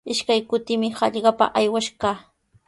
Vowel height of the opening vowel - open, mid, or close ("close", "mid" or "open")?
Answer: close